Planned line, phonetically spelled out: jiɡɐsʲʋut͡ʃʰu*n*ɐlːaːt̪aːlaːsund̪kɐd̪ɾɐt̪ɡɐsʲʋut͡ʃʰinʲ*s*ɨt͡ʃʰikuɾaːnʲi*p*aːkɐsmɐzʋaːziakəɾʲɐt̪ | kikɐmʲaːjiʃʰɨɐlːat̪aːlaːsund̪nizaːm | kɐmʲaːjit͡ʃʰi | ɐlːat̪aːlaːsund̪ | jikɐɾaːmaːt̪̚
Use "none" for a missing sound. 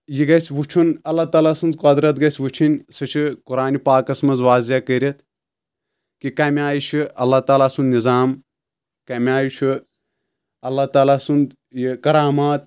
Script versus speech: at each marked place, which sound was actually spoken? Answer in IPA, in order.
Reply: n, s, p

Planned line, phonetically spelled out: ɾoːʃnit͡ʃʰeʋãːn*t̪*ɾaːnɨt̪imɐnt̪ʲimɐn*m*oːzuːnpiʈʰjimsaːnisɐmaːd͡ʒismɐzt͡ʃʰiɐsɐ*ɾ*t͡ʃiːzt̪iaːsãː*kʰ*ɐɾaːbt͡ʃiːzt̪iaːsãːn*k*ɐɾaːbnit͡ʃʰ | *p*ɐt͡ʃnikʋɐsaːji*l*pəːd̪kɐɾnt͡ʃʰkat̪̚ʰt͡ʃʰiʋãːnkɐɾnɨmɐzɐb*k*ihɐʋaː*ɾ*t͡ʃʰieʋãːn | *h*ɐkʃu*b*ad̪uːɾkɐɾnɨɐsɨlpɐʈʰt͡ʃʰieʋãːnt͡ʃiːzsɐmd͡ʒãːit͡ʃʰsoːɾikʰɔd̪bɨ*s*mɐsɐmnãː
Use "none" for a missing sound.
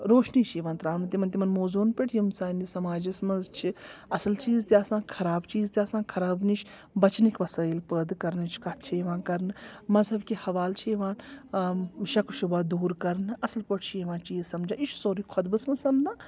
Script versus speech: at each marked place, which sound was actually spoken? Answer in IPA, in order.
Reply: t̪, m, l, kʰ, kʰ, b, l, k, l, ʃ, b, s

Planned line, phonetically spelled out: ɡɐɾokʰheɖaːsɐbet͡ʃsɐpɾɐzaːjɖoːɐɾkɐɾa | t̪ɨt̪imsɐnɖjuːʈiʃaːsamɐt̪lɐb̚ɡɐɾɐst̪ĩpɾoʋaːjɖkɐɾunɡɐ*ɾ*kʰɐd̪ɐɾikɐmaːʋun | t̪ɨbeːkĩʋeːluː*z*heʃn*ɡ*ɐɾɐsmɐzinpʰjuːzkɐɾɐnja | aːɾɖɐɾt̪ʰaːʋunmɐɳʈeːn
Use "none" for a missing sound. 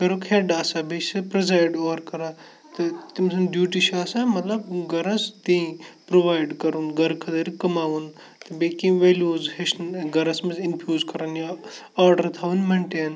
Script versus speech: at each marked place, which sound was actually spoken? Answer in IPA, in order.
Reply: ɾ, z, ɡ

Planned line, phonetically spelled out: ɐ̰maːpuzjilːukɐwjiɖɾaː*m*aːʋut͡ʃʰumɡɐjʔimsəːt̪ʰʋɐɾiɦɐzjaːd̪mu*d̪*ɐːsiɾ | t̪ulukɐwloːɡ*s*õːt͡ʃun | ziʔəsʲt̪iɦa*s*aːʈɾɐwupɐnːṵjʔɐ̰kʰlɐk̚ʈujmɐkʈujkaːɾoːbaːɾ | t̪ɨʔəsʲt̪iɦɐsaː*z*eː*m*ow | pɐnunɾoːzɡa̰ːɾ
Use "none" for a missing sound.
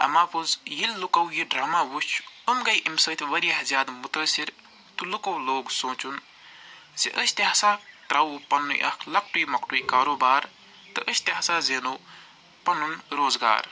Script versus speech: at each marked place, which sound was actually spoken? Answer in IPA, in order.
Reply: m, t̪, s, s, z, n

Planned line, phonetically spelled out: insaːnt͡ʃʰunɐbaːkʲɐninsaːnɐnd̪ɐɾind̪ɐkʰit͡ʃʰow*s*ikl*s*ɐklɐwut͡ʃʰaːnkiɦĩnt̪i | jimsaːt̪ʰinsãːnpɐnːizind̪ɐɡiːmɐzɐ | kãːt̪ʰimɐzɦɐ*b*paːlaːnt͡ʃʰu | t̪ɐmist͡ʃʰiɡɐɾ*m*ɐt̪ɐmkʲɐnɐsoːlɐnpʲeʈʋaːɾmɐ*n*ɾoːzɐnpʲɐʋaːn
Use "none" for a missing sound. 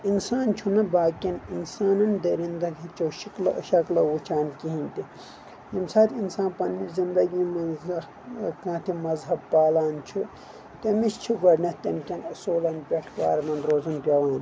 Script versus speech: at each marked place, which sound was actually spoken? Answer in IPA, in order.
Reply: ʃ, ʃ, b, n, n

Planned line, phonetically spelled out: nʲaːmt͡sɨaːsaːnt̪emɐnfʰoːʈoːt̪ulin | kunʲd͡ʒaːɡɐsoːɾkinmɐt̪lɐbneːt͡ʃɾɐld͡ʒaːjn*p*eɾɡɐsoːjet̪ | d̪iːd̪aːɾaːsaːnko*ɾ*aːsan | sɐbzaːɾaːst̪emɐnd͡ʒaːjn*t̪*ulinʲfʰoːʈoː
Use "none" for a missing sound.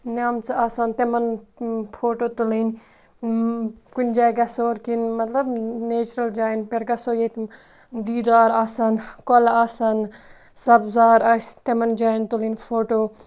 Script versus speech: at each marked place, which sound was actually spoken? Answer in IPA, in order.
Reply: p, l, t̪

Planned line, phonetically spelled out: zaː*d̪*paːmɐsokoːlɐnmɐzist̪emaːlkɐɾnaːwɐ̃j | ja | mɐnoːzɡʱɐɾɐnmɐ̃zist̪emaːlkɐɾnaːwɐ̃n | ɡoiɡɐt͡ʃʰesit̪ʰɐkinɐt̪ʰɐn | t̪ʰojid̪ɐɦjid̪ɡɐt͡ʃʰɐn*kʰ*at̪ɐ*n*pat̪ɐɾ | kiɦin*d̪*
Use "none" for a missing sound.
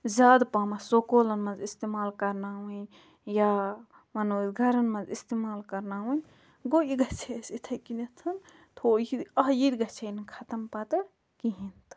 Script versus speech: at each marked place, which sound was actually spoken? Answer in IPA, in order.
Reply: d̪, kʰ, m, t̪

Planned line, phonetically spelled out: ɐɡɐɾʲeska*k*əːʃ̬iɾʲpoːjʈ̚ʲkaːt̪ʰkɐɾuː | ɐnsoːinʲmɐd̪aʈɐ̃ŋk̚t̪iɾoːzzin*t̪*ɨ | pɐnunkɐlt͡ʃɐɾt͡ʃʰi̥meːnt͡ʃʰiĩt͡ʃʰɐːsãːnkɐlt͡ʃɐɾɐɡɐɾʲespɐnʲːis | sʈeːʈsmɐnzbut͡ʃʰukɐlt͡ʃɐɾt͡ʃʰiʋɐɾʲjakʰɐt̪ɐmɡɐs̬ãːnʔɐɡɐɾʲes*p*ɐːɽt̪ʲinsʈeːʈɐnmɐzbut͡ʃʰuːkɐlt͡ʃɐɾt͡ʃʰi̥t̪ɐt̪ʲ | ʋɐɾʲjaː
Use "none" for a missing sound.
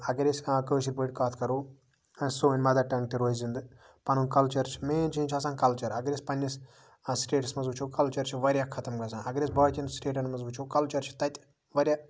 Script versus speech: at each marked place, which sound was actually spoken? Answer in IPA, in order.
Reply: k, d̪, b

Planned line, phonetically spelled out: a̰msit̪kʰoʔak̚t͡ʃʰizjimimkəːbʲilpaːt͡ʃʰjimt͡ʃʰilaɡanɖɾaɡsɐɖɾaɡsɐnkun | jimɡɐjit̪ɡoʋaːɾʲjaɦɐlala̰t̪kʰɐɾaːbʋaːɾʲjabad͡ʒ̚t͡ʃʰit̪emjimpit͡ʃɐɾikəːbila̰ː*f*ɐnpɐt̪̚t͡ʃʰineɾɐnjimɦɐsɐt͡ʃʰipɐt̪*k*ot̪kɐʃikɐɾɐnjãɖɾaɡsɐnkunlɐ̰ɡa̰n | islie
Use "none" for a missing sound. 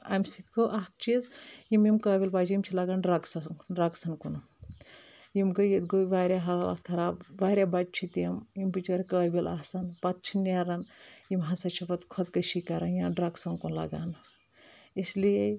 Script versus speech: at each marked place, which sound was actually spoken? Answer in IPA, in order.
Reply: s, kʰ

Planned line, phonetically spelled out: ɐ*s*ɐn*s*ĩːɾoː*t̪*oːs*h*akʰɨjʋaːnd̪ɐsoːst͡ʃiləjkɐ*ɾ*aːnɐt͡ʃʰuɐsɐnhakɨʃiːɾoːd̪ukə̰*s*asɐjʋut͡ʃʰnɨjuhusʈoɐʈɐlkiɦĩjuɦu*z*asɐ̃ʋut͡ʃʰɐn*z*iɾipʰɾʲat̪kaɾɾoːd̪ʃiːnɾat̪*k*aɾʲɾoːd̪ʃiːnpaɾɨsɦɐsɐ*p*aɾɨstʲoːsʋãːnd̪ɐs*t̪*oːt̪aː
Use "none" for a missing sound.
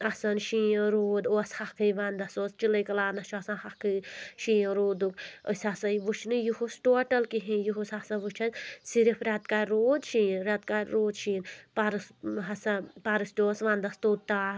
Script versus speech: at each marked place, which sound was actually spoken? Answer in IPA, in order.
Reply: s, ʃ, d̪, h, l, s, s, s, k, p, t̪

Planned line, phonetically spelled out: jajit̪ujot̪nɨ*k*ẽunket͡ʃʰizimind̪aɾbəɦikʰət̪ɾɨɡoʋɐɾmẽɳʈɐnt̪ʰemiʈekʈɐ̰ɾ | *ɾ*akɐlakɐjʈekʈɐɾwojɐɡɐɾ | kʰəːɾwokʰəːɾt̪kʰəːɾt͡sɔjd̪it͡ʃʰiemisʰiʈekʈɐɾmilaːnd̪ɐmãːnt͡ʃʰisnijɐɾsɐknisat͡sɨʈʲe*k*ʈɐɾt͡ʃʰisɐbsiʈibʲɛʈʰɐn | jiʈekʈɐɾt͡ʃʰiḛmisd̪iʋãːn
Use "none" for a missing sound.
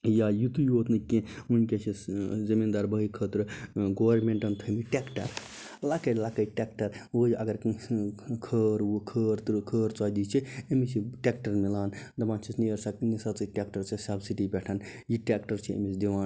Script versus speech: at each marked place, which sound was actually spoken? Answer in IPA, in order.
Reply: k, l, k

